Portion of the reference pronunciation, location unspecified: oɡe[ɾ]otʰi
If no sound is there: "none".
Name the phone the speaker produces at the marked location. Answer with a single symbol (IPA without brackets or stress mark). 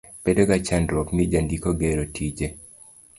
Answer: ɾ